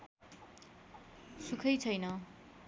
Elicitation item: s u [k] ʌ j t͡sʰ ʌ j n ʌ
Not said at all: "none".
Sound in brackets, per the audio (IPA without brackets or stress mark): kʰ